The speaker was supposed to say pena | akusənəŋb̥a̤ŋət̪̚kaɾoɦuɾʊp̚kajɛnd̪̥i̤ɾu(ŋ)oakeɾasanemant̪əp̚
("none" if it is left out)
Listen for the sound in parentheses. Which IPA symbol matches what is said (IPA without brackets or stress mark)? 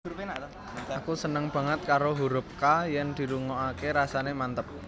ŋ